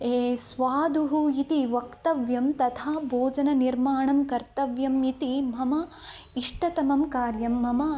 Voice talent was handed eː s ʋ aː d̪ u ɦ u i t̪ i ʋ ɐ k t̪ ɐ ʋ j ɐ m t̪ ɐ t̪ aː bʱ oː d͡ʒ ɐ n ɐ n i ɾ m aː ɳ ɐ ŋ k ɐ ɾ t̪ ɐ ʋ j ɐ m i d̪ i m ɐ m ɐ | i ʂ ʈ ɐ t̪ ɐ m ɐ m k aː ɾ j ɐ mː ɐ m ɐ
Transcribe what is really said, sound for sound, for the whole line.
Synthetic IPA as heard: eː s ʋ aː d̪ u ɦ u i t̪ i ʋ ɐ k t̪ ɐ ʋ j ɐ m t̪ ɐ t̪ʰ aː bʱ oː d͡ʒ ɐ n ɐ n i ɾ m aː ɳ ɐ m k ɐ ɾ t̪ ɐ ʋ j ɐ m i t̪ i m ɐ m ɐ | i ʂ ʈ ɐ t̪ ɐ m ɐ m k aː ɾ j ɐ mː ɐ m ɐ